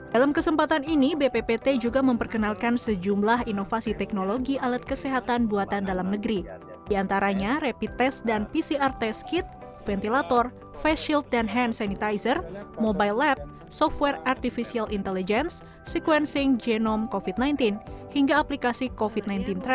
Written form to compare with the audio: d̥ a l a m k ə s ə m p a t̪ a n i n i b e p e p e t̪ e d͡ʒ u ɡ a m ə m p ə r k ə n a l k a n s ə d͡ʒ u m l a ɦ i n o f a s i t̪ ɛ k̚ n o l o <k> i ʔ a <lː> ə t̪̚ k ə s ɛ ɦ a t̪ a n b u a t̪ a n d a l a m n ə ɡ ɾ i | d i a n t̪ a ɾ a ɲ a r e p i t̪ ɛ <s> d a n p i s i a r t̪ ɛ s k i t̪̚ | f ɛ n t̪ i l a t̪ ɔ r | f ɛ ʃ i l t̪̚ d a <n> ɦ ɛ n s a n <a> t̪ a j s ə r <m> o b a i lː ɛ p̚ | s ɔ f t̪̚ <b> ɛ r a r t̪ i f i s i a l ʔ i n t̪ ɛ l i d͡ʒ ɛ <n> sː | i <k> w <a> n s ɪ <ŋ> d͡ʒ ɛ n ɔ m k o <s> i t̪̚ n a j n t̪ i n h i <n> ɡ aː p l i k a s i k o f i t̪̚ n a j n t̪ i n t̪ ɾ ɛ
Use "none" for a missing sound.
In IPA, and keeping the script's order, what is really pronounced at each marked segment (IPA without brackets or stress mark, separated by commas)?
ɡ, l, s, n, i, m, w, n, k, ɛ, ŋ, f, ŋ